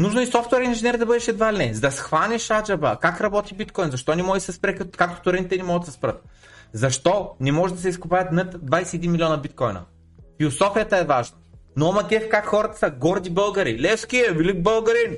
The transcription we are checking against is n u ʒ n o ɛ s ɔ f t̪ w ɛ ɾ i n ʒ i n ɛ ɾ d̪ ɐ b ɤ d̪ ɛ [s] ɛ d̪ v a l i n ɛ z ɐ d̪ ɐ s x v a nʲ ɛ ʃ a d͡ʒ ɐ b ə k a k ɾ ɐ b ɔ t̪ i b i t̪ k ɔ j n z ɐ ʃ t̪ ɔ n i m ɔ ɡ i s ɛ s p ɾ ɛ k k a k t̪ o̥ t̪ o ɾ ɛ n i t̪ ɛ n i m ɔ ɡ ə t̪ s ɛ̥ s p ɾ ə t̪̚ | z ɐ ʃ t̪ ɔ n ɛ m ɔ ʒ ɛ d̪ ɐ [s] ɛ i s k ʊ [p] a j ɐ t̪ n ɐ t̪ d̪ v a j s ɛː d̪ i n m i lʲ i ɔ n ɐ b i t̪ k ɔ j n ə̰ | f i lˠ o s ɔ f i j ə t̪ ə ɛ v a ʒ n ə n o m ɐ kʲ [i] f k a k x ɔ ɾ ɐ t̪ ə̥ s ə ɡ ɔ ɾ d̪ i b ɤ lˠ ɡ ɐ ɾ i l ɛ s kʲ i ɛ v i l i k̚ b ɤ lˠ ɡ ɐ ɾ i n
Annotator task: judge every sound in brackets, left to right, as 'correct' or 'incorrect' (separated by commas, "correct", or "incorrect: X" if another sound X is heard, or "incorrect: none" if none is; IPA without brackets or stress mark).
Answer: incorrect: ʃ, correct, correct, incorrect: ɛ